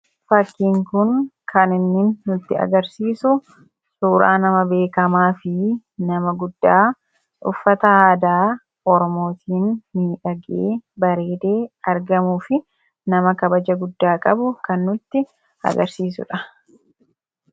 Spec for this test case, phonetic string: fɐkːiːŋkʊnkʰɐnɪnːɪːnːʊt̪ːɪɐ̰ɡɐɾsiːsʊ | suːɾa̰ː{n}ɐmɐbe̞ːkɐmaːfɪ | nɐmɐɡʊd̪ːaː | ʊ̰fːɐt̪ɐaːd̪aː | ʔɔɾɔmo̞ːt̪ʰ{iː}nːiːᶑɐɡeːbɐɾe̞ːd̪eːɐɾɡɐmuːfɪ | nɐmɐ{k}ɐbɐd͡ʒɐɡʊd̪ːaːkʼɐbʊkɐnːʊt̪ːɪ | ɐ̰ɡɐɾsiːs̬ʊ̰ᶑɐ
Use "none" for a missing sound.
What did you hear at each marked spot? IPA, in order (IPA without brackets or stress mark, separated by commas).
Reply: n, iː, k